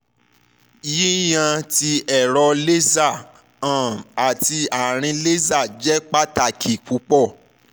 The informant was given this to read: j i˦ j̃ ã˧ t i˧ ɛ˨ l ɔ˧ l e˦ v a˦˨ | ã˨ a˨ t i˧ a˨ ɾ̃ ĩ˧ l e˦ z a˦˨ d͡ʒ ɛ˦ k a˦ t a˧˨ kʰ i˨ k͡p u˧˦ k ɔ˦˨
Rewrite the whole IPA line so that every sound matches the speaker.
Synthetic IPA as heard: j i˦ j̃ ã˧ t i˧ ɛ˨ ɾ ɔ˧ l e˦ z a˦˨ | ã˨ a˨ t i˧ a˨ ɾ̃ ĩ˧ l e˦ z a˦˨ d͡ʒ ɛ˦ k͡p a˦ t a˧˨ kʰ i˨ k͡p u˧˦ k͡p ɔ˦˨